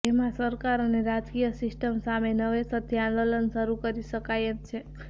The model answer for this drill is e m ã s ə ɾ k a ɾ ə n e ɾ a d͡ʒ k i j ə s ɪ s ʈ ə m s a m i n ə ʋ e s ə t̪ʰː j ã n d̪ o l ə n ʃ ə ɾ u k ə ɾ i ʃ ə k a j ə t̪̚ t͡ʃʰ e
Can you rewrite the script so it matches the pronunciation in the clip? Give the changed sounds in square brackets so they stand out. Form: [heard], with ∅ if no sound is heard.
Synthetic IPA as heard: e m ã s ə ɾ k a ɾ ə n e ɾ a d͡ʒ k i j ə s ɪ s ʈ ə m s a m [e] n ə ʋ e s ə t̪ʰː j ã n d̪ o l ə n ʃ ə ɾ u k ə ɾ i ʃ ə k a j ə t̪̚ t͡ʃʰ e